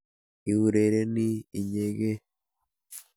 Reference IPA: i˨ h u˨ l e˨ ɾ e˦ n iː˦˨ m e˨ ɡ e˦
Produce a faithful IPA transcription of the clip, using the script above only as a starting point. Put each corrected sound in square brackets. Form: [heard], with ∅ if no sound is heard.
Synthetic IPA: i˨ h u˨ [ɾ] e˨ ɾ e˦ n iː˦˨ [ɲ] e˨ ɡ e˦